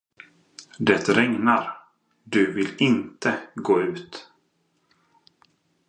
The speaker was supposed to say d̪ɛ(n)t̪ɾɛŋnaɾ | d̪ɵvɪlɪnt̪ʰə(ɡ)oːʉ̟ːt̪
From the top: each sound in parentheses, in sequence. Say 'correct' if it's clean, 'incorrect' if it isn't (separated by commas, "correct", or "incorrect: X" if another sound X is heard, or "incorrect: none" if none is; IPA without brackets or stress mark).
incorrect: none, correct